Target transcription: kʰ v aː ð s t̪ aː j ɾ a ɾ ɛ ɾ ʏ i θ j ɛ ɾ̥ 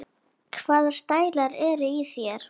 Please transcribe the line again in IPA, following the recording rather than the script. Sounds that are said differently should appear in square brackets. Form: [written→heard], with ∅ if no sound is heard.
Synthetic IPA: kʰ v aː ð s t̪ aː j [ɾ→l] a ɾ ɛ ɾ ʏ i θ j ɛ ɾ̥